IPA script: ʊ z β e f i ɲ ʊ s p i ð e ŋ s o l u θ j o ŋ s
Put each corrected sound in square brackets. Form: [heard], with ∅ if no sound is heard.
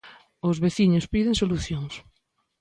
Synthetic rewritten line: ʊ z β e [θ] i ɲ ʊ s p i ð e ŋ s o l u θ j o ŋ s